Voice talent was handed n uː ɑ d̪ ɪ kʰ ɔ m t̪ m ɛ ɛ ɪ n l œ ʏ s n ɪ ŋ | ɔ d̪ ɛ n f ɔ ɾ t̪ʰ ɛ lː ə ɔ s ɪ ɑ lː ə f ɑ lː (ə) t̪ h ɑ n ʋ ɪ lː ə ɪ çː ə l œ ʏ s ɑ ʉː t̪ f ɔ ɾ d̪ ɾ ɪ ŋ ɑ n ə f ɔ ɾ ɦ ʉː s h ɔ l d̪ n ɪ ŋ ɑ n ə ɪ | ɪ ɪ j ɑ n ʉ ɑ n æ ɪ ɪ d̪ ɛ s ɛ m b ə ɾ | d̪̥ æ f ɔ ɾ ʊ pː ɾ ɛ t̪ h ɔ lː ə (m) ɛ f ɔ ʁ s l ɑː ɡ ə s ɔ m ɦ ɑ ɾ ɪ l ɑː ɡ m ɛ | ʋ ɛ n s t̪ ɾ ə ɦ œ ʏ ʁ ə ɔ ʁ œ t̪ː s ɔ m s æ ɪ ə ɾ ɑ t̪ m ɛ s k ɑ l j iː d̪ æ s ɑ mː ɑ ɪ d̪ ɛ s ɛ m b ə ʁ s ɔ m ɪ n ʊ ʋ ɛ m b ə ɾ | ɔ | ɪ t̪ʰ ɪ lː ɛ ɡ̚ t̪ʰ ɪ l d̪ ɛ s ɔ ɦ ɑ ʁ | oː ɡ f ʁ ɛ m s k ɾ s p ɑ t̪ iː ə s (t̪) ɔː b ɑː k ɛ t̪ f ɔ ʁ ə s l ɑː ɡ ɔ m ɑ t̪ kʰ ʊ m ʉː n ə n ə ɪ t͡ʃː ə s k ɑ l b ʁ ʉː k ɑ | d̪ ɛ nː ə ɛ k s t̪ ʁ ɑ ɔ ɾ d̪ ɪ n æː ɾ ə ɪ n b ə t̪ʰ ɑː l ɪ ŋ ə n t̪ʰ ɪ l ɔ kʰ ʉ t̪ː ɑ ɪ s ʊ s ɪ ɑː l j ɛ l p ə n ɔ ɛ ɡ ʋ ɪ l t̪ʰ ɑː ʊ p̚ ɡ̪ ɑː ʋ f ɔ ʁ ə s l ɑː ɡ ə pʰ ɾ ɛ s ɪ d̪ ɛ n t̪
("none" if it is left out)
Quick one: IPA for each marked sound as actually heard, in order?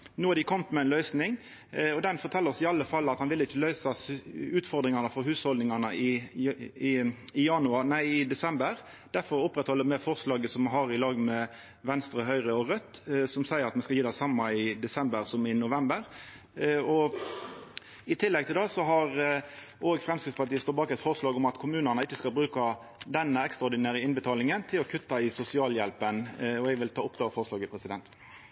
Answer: ɑ, m, t̪

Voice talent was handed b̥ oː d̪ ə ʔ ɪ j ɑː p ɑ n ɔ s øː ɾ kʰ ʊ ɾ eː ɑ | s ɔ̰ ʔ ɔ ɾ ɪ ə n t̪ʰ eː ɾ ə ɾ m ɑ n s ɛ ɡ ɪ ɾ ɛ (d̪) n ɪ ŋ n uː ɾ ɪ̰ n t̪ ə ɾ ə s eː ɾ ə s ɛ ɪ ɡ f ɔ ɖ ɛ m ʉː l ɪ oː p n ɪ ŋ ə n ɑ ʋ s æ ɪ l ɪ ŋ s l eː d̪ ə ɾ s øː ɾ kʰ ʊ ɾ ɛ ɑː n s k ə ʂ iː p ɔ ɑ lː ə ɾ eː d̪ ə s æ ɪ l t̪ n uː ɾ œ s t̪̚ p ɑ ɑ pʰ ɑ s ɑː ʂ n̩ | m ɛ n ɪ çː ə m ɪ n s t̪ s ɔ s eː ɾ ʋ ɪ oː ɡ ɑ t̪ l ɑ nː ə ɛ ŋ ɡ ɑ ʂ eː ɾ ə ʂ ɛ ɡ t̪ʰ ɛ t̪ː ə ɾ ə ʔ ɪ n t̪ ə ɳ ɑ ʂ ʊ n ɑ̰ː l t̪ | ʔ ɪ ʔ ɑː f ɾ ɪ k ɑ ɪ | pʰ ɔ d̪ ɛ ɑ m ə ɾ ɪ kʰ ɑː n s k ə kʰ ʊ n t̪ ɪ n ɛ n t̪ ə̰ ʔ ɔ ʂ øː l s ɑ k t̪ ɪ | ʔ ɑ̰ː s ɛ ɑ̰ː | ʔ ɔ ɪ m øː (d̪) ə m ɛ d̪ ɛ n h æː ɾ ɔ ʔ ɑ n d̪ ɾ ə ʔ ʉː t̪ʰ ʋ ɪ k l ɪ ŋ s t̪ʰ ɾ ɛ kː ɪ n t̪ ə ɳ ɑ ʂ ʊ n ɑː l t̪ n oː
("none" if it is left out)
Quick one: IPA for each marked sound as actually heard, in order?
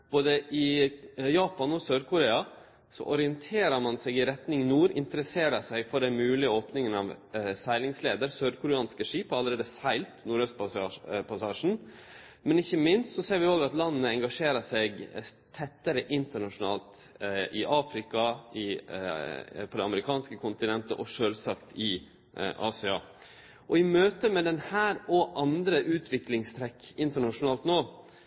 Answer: t̪, t̪

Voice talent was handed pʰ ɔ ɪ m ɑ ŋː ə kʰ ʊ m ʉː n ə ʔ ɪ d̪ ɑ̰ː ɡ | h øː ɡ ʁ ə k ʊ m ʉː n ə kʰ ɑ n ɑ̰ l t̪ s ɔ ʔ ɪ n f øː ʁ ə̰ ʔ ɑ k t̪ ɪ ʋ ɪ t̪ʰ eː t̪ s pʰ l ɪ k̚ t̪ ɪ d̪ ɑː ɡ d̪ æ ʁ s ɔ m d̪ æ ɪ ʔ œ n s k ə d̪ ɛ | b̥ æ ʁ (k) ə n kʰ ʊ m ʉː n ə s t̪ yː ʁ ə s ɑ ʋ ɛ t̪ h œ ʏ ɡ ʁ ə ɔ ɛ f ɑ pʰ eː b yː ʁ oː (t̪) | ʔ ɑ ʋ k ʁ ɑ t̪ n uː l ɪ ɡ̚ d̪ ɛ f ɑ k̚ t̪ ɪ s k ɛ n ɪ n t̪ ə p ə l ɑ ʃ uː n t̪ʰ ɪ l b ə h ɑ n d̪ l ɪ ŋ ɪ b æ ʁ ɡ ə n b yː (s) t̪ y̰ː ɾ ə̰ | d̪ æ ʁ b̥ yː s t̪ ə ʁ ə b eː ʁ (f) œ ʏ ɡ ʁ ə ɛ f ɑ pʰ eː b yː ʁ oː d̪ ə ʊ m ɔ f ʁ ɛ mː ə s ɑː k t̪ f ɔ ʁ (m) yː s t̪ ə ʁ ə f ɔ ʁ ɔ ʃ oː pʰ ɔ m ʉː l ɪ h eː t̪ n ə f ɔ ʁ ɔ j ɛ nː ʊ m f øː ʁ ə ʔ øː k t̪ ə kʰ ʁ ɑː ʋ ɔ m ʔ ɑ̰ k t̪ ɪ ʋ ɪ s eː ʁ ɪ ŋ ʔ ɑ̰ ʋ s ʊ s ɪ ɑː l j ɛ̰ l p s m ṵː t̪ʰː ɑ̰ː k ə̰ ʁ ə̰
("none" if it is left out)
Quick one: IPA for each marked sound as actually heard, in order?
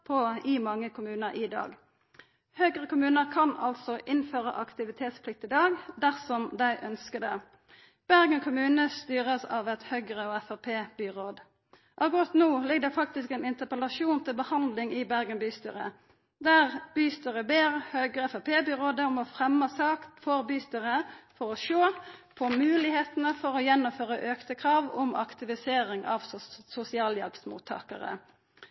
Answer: ɡ, d̪, s, h, b

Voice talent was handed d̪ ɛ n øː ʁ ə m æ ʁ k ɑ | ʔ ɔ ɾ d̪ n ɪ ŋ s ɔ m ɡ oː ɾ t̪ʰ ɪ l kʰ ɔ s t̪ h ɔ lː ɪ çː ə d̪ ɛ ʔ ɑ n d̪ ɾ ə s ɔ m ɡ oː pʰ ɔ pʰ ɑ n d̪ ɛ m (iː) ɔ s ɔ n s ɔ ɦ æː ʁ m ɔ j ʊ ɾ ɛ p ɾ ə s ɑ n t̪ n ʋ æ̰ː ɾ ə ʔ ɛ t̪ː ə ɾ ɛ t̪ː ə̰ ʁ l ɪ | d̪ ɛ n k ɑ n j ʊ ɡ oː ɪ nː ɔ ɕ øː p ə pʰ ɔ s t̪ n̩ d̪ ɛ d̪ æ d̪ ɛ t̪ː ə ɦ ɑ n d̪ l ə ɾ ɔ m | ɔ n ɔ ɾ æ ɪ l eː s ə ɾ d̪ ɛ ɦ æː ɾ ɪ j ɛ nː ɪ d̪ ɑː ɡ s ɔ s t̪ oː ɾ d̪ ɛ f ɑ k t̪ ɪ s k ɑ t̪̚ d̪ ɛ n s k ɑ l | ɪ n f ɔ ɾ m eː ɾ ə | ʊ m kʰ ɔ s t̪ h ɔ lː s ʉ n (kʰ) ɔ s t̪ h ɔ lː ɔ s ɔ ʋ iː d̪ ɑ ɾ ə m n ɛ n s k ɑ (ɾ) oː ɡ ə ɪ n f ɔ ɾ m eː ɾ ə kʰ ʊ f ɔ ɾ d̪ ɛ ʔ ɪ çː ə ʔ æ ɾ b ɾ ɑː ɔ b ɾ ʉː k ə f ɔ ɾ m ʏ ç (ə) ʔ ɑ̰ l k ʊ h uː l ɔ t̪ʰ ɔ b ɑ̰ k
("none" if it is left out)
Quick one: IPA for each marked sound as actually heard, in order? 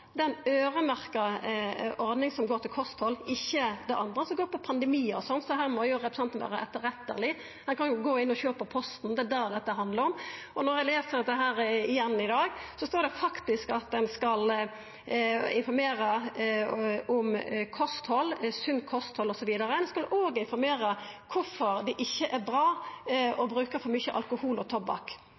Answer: iː, kʰ, l, ə

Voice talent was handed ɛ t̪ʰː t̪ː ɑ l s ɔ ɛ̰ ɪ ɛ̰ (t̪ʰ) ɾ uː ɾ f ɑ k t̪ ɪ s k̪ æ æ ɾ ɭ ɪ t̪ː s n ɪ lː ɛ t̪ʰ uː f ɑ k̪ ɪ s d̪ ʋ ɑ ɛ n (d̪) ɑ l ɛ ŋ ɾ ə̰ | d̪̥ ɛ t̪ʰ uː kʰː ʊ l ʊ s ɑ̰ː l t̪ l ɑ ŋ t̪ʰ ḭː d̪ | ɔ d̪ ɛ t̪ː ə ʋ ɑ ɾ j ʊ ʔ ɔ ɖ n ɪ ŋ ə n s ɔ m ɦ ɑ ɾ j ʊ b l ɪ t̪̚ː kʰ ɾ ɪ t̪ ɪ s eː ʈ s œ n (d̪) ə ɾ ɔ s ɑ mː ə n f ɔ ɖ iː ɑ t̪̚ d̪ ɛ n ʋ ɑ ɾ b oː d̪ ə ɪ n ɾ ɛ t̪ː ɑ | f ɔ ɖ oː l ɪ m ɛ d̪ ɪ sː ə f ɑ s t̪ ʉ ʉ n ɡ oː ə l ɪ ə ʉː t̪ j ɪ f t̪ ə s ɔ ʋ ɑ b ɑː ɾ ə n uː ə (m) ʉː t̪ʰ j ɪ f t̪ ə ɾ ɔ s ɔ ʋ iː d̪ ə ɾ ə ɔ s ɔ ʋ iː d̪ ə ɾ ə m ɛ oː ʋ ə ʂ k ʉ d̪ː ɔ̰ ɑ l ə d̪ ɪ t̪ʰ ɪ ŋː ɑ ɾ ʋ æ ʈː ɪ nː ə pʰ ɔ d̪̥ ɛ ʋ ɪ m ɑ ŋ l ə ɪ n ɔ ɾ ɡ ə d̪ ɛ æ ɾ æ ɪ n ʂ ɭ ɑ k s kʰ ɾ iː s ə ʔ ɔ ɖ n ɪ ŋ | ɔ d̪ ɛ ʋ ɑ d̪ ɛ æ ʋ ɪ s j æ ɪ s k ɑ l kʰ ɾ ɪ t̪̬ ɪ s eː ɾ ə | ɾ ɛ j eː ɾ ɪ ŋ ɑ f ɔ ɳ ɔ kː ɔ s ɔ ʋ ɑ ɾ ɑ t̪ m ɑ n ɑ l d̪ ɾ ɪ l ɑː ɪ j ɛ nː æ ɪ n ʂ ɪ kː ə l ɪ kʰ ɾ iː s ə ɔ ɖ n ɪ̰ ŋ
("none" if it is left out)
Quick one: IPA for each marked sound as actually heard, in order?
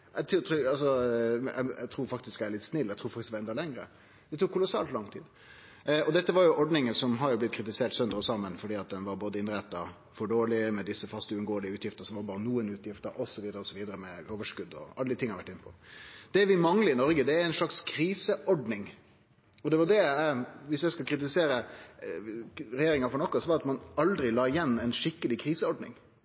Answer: t̪ʰ, d̪, d̪, n

